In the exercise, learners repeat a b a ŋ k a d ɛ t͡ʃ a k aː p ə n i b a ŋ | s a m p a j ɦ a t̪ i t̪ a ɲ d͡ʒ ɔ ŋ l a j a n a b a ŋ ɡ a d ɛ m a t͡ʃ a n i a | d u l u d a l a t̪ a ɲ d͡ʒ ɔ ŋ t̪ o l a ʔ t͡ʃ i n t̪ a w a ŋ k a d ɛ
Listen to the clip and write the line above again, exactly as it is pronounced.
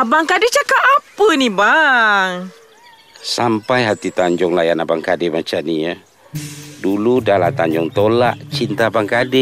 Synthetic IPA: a b a ŋ k a d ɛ t͡ʃ a k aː p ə n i b a ŋ | s a m p a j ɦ a t̪ i t̪ a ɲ d͡ʒ ɔ ŋ l a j a n a b a ŋ k a d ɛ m a t͡ʃ a n i a | d u l u d a l a t̪ a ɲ d͡ʒ ɔ ŋ t̪ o l a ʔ t͡ʃ i n t̪ a b a ŋ k a d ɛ